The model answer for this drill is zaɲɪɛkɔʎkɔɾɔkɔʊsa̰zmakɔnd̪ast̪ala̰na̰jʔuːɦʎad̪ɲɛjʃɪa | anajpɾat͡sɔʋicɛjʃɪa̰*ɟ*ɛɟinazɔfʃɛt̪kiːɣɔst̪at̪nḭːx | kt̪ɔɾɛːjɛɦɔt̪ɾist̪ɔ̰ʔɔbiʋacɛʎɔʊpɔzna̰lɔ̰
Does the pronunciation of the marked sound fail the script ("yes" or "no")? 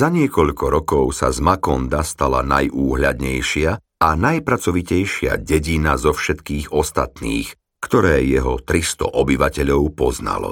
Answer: no